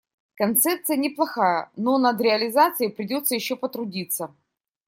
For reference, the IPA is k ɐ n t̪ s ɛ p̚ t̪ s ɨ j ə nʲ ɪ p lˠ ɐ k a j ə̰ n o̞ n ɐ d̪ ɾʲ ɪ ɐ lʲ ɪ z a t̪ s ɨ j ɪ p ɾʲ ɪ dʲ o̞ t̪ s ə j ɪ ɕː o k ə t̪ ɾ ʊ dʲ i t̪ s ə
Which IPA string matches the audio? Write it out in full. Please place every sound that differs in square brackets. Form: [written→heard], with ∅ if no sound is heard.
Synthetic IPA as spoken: k ɐ n t̪ s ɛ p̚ t̪ s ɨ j ə nʲ ɪ p lˠ ɐ [k→x] a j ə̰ n o̞ n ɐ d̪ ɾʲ ɪ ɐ lʲ ɪ z a t̪ s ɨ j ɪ p ɾʲ ɪ dʲ o̞ t̪ s ə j ɪ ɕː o [k→p] ə t̪ ɾ ʊ dʲ i t̪ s ə